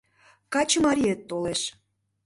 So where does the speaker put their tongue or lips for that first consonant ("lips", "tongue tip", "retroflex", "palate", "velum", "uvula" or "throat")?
velum